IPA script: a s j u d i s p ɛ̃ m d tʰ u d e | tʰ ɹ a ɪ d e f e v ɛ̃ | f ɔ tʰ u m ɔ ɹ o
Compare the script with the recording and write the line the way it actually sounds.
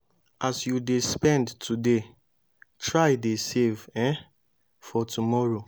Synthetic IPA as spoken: a s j u d e s p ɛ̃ n d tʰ u d e | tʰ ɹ a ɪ d e s e v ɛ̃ | f ɔ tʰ u m ɔ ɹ o